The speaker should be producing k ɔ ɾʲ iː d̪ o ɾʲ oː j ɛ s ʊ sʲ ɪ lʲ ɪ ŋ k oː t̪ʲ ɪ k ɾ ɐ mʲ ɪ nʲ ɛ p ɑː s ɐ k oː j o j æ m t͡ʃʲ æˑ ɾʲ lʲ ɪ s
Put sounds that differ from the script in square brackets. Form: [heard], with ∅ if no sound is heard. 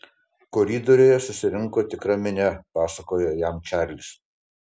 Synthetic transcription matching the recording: k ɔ ɾʲ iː d̪ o ɾʲ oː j ɛ s ʊ sʲ ɪ [ɾʲ] ɪ ŋ k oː t̪ʲ ɪ k ɾ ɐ mʲ ɪ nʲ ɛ p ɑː s ɐ k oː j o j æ m t͡ʃʲ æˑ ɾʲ lʲ ɪ s